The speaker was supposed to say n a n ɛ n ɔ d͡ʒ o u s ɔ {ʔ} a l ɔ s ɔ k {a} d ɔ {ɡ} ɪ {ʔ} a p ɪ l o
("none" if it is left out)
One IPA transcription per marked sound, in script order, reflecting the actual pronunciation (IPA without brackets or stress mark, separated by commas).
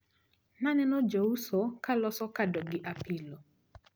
k, a, ɡ, ʔ